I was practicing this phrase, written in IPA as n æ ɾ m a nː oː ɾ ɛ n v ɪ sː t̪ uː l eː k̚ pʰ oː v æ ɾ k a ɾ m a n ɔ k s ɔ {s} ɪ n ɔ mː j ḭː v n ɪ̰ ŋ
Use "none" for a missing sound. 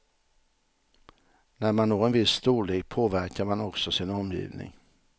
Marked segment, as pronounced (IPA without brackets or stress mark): s